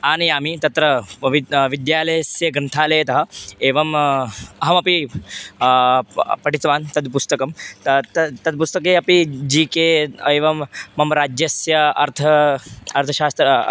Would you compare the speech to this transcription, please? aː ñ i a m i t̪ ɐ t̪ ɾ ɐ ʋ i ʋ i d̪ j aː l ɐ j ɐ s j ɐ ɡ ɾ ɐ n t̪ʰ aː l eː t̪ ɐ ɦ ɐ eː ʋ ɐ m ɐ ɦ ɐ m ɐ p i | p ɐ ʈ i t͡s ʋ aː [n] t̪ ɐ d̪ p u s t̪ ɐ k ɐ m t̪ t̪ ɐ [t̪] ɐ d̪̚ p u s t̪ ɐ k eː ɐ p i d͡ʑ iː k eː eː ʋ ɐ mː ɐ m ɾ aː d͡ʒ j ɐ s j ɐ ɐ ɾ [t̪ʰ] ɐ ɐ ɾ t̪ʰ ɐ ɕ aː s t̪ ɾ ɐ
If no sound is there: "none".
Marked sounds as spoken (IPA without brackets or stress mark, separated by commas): n, t̪, t̪ʰ